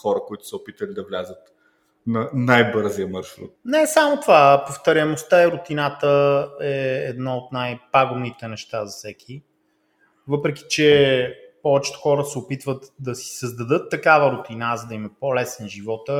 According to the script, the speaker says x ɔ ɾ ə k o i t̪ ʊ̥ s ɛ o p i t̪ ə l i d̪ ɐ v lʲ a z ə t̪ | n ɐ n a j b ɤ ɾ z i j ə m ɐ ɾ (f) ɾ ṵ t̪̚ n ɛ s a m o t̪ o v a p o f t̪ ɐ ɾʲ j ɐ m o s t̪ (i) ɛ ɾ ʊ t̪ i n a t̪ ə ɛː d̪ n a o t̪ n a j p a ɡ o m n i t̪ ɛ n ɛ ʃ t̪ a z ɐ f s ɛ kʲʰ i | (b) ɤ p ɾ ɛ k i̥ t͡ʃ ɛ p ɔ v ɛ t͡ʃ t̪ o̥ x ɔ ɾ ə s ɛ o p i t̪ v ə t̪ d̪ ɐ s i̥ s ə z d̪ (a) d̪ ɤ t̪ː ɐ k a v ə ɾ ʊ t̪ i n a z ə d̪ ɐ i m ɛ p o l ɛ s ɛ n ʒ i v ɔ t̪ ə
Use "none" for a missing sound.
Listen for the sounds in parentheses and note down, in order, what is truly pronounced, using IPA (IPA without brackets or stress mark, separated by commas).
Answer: ʃ, a, v, ɐ